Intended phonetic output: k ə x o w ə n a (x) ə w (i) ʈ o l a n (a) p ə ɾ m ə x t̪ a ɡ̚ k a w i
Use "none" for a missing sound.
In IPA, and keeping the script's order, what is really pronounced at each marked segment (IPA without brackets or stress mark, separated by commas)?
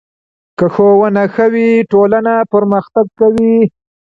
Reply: x, i, a